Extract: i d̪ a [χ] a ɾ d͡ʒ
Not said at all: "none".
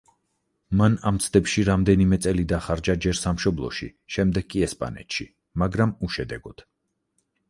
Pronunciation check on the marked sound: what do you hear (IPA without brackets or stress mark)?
χ